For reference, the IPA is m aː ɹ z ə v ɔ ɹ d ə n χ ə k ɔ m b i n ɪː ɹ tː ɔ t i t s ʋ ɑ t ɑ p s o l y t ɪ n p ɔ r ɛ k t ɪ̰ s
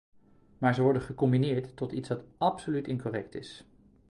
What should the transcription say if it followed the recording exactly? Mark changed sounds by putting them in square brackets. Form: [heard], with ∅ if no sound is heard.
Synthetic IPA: m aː ɹ z ə [ʋ] ɔ ɹ d ə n χ ə k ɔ m b i n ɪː ɹ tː ɔ t i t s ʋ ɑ t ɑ p s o l y t ɪ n [k] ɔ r ɛ k t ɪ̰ s